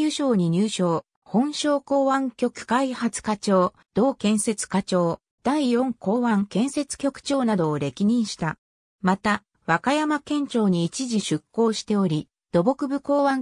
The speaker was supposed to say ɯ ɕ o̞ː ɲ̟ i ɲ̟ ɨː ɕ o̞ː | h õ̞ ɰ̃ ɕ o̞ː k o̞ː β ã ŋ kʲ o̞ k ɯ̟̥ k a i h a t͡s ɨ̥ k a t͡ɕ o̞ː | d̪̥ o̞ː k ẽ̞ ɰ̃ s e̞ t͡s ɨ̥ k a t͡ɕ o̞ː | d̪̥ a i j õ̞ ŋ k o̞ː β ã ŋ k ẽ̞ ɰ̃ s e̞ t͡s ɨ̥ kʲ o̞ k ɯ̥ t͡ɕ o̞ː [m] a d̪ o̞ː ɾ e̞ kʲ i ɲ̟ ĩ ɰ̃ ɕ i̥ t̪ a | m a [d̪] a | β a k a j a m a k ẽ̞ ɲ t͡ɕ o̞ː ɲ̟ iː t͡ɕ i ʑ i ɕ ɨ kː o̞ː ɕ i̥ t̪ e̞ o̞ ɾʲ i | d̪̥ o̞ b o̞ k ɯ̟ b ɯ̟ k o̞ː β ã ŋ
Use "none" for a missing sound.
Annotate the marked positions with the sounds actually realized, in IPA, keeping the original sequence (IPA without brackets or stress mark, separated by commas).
n, t̪